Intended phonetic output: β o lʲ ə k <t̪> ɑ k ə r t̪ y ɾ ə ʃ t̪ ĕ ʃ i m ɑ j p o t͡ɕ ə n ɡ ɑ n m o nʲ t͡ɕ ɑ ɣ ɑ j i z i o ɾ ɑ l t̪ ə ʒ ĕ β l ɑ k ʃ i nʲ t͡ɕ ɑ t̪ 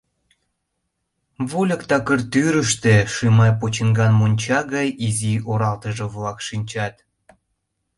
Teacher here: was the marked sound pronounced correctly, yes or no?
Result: yes